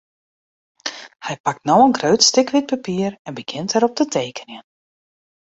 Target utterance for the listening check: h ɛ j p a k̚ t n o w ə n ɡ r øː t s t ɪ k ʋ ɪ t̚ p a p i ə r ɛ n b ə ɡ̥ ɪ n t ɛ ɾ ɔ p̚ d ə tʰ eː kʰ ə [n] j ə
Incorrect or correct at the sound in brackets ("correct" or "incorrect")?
correct